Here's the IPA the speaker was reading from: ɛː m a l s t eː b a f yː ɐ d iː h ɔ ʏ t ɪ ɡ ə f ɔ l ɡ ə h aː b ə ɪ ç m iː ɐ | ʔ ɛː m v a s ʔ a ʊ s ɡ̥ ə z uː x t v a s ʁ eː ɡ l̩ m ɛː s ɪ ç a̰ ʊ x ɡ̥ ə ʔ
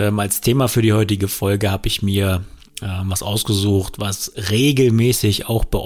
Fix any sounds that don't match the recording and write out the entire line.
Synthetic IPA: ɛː m a l s tʰ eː m a f yː ɐ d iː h ɔ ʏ t ɪ ɡ ə f ɔ l ɡ ə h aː b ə ɪ ç m iː ɐ | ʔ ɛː m v a s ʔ a ʊ s ɡ̥ ə z uː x t v a s ʁ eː ɡ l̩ m ɛː s ɪ ç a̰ ʊ x b̥ ə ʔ